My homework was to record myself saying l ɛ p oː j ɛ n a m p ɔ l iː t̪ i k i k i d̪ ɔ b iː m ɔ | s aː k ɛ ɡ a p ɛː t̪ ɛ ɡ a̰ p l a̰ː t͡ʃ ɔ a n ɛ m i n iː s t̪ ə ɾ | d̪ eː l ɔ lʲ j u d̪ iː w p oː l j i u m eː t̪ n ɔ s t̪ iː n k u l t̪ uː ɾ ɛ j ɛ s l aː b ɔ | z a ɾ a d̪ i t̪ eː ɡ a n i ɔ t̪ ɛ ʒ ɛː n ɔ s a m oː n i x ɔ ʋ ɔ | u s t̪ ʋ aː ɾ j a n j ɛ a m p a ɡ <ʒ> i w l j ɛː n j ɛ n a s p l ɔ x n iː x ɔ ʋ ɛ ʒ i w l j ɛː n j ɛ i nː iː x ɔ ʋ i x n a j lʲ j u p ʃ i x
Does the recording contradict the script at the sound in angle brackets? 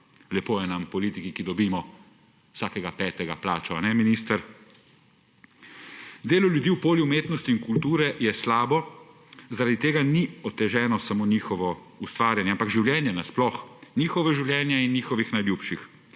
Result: no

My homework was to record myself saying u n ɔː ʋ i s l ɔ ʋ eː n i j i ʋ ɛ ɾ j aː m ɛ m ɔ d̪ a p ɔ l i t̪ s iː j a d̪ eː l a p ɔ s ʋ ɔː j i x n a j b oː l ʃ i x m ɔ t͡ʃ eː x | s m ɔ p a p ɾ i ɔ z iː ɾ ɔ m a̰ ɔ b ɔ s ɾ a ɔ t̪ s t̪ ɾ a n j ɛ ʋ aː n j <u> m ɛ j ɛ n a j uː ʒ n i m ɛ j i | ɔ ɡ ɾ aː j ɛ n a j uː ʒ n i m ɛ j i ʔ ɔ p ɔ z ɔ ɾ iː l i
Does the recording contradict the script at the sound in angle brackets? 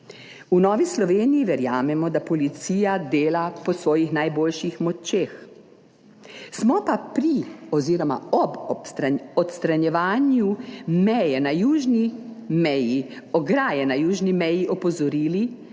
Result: no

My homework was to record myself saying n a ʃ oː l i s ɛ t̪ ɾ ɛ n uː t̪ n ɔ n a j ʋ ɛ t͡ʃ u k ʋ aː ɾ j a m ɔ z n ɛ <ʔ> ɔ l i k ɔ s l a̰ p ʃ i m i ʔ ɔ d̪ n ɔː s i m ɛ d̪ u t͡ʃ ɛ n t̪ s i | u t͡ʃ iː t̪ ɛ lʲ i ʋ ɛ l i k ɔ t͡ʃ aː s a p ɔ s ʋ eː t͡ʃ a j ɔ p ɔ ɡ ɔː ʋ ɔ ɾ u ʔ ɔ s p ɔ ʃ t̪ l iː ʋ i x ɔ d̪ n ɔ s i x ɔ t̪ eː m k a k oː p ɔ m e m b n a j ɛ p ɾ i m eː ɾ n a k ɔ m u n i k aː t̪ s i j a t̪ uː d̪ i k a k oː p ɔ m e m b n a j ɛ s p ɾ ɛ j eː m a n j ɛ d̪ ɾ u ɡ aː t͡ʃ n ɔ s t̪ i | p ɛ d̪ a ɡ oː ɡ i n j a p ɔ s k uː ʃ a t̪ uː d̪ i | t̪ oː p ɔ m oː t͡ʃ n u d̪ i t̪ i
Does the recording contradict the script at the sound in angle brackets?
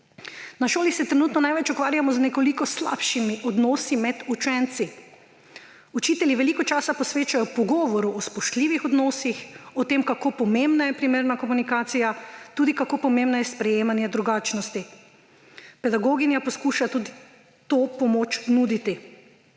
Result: yes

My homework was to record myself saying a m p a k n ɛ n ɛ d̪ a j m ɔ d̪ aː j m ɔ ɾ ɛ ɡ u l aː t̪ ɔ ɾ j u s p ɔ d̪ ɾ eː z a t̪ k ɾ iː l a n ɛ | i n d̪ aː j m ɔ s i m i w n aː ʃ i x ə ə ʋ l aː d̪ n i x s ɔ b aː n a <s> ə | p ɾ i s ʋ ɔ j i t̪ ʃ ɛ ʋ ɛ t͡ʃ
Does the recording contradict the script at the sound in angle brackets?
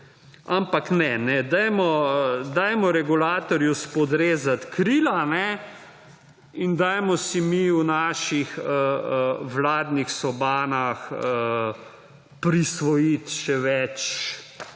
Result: yes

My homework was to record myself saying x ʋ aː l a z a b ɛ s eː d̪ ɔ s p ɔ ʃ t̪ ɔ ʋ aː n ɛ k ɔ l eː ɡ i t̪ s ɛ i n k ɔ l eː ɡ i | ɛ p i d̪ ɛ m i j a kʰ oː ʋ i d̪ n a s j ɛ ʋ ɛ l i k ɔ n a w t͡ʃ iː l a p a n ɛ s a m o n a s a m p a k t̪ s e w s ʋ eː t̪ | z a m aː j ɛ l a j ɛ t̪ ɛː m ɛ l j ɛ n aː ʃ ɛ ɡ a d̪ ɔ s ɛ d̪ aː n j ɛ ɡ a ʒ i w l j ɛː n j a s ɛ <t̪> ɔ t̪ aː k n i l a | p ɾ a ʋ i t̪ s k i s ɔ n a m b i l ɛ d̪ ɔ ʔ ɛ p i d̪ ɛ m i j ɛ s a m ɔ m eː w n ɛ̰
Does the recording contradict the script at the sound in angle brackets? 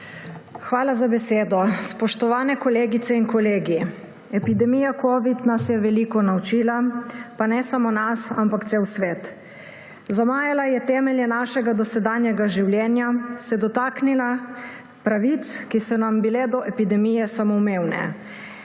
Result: yes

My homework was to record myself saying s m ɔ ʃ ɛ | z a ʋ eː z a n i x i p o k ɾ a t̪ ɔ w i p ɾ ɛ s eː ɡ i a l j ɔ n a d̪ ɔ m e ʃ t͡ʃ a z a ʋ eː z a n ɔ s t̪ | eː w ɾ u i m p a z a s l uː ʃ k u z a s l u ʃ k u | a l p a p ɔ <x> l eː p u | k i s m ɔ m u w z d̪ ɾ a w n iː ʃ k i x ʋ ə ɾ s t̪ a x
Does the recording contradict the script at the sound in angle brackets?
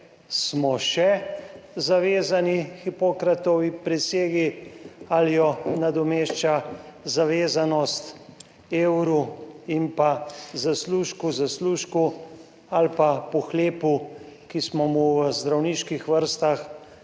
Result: no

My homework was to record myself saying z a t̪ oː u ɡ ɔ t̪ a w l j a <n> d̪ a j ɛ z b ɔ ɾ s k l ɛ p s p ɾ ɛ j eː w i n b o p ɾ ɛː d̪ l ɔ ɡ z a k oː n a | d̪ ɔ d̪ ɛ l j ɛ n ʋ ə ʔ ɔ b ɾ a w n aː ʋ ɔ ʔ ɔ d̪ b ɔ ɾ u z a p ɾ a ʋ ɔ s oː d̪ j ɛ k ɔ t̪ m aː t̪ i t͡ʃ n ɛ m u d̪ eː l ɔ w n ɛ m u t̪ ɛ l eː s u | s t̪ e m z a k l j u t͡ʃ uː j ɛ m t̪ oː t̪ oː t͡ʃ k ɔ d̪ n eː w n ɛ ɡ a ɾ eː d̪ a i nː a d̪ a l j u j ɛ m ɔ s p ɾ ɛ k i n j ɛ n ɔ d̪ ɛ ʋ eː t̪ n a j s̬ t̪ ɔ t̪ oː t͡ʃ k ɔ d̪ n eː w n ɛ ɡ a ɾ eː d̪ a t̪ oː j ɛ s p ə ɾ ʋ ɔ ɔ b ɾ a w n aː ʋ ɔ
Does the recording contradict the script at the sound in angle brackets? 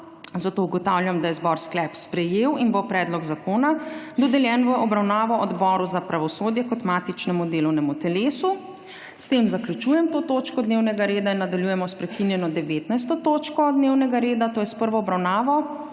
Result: yes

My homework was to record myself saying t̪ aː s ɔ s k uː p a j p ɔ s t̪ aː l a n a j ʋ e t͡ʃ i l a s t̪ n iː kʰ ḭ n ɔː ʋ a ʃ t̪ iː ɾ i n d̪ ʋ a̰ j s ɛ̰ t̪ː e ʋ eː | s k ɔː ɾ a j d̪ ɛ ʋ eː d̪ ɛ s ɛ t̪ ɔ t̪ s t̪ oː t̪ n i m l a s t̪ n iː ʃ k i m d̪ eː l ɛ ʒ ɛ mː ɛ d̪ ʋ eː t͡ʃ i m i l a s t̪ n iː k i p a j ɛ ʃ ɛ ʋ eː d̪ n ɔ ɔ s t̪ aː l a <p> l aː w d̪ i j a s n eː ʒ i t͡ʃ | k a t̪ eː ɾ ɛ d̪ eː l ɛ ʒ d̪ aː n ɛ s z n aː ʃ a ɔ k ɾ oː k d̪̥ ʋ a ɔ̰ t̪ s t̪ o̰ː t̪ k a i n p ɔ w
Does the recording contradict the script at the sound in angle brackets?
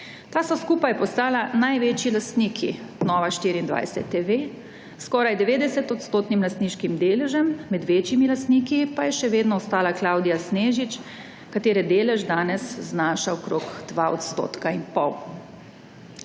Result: yes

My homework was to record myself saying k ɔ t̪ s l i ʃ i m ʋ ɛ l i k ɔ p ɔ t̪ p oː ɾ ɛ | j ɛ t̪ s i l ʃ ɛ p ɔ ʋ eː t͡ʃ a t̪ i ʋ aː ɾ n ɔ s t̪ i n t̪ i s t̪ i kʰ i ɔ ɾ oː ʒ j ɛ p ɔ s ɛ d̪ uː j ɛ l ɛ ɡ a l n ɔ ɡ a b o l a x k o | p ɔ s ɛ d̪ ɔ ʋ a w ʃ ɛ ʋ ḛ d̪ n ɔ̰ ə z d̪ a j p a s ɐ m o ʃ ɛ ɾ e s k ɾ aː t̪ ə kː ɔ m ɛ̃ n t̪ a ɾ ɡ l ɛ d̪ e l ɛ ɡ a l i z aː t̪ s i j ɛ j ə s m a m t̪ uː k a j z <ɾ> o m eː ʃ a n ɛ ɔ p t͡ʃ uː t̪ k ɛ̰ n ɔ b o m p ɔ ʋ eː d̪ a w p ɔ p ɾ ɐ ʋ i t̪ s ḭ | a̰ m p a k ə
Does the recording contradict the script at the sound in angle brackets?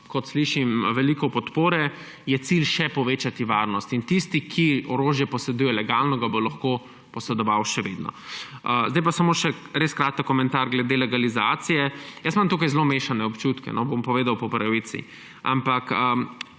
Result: yes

